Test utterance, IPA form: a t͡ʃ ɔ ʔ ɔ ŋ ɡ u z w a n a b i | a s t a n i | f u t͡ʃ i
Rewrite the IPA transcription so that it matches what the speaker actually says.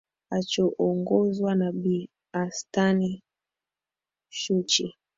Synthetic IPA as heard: a t͡ʃ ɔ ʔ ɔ ŋ ɡ ɔ z w a n a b i | a s t a n i | ʃ u t͡ʃ i